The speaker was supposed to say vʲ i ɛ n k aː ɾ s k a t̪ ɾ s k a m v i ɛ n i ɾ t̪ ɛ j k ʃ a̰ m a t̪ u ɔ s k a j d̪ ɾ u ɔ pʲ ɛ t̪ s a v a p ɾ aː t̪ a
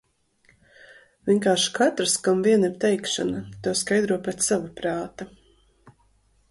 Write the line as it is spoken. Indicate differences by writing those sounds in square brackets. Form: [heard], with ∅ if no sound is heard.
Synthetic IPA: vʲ i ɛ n k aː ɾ [ʃ] k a t̪ ɾ s k a m v i ɛ n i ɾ t̪ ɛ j k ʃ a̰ [n] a t̪ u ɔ s k a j d̪ ɾ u ɔ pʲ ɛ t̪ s a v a p ɾ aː t̪ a